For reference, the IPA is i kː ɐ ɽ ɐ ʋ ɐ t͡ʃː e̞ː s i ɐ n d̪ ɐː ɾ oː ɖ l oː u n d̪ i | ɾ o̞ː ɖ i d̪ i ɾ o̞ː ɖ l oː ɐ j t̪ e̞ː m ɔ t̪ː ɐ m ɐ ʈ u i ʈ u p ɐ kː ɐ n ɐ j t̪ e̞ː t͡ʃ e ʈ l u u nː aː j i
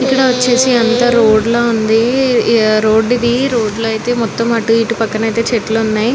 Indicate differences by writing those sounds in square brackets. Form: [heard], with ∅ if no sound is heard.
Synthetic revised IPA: i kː ɐ ɽ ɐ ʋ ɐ t͡ʃː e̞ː s i ɐ n [t̪] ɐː ɾ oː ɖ l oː u n d̪ i | ɾ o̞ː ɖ i d̪ i ɾ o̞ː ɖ l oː ɐ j t̪ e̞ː m ɔ t̪ː ɐ m ɐ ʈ u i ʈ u p ɐ kː ɐ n ɐ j t̪ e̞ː t͡ʃ e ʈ l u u nː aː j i